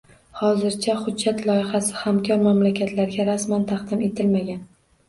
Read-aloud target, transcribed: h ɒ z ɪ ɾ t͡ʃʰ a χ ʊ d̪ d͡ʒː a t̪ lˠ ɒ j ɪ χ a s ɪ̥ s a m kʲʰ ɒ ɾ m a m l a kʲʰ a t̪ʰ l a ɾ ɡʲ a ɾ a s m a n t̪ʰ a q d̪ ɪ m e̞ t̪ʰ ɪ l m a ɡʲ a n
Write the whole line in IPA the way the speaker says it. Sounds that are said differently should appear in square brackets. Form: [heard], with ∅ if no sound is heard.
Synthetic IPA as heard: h ɒ z ɪ ɾ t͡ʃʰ a χ ʊ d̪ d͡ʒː a t̪ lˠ ɒ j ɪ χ a s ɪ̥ [h] a m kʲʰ ɒ ɾ m a m l a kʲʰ a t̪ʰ l a ɾ ɡʲ a ɾ a s m a n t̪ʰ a q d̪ ɪ m e̞ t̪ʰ ɪ l m a ɡʲ a n